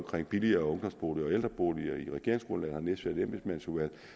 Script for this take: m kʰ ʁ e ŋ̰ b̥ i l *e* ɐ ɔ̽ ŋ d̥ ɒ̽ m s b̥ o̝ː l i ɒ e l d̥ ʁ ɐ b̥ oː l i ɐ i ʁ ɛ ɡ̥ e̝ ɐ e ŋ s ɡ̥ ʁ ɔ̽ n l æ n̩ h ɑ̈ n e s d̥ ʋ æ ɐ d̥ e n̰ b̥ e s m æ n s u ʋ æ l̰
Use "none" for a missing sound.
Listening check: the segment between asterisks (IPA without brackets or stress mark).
i